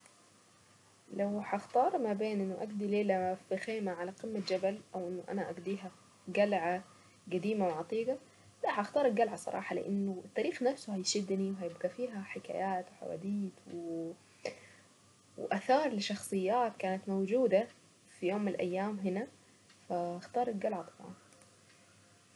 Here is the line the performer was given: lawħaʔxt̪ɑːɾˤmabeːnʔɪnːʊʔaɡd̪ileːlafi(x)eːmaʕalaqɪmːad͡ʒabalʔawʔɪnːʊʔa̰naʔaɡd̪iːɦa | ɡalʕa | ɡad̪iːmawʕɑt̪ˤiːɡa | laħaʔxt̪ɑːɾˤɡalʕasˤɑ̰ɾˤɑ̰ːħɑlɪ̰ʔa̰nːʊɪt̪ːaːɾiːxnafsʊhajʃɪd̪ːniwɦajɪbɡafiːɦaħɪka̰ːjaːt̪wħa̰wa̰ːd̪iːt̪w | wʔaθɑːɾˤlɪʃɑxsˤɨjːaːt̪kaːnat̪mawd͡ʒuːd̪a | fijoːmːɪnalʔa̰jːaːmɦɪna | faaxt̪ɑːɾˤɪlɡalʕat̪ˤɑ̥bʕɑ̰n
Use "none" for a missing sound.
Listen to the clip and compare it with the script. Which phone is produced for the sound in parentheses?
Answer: x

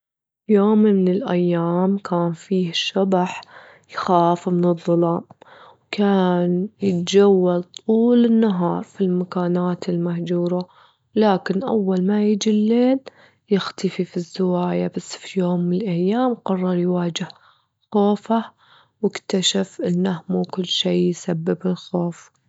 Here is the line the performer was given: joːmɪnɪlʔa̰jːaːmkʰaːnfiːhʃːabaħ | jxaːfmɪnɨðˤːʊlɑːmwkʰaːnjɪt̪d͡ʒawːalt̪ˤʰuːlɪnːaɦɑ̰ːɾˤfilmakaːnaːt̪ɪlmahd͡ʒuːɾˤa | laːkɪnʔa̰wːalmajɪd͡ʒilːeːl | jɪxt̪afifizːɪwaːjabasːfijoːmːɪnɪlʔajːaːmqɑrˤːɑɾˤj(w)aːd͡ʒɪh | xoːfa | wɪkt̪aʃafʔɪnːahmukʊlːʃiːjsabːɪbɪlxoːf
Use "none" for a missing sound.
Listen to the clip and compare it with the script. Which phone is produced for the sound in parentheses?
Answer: w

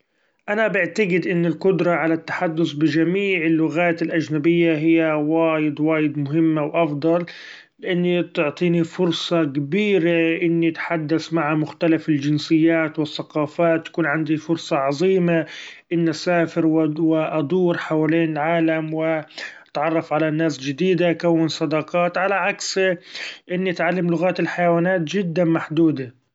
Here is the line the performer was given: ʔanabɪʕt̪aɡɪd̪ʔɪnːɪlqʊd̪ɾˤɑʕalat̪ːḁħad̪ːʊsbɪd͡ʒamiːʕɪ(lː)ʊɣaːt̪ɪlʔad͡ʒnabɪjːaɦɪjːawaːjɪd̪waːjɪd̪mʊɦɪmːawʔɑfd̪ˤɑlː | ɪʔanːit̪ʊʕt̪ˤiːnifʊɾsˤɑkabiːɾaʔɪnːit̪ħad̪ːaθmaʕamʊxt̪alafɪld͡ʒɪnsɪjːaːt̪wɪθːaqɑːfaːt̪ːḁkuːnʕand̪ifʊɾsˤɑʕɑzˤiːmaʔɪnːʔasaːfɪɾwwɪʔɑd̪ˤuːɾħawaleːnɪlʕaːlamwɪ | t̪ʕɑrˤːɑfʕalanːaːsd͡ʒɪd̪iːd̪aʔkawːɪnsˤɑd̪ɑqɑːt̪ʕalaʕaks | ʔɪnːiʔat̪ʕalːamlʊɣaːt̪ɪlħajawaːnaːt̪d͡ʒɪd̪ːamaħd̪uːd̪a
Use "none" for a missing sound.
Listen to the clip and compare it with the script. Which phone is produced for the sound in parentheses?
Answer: lː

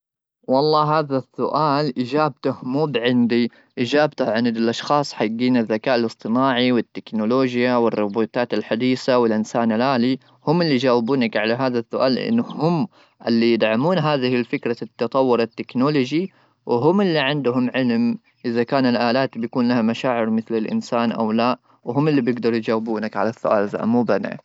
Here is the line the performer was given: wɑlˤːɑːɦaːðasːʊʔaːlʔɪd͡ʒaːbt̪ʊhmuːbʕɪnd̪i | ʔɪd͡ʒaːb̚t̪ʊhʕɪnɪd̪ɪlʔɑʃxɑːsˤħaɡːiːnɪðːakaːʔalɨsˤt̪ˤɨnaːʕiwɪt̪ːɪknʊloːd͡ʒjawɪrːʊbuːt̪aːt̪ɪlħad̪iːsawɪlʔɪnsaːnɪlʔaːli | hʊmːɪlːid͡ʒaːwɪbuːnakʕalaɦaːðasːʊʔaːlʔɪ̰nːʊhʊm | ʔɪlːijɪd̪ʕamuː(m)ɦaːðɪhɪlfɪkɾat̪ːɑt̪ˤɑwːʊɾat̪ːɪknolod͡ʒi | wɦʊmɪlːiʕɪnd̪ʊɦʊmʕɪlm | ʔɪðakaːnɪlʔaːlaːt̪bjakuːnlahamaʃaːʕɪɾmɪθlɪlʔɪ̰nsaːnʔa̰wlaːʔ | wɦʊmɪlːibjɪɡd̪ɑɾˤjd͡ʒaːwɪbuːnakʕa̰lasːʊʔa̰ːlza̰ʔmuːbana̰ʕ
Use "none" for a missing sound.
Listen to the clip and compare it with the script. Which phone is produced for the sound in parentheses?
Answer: n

